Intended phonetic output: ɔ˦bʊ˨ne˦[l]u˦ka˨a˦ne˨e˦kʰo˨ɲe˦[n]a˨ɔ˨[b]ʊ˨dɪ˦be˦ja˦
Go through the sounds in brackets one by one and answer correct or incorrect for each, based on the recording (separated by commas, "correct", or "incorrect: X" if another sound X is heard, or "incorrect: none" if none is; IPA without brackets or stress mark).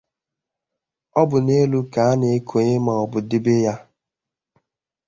correct, incorrect: m, correct